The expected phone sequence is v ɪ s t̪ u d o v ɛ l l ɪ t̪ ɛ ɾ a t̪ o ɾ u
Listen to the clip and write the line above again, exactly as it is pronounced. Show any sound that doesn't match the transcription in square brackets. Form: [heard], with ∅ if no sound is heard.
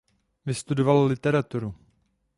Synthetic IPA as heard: v ɪ s t̪ u d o v [a] l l ɪ t̪ ɛ ɾ a t̪ [u] ɾ u